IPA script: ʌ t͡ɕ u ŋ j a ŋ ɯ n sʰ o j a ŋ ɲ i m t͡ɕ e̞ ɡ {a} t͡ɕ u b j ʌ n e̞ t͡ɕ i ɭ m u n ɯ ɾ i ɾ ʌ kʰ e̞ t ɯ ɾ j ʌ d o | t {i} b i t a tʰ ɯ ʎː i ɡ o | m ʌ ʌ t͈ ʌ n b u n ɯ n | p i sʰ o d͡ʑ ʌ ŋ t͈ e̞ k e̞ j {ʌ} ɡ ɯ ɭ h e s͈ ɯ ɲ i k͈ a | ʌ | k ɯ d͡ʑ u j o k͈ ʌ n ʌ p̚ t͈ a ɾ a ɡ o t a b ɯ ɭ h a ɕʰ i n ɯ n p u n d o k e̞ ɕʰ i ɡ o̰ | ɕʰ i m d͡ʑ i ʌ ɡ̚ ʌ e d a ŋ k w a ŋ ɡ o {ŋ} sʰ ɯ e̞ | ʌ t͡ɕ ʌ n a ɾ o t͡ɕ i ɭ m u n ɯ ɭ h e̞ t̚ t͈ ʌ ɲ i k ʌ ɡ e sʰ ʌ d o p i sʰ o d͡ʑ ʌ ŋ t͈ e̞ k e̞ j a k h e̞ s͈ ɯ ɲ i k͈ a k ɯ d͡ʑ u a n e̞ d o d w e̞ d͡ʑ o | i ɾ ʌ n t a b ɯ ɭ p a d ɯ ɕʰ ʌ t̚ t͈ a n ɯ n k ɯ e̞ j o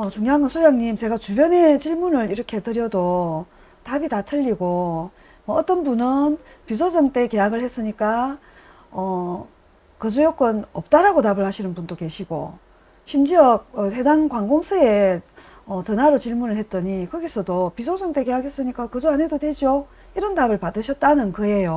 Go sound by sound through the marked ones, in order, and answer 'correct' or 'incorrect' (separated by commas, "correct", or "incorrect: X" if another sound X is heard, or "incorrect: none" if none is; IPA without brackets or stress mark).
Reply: correct, incorrect: a, incorrect: a, correct